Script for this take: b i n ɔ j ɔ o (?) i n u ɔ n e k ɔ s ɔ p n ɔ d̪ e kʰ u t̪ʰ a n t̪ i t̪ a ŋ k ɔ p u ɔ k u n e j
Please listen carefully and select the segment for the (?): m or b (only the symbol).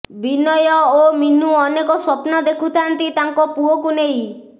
m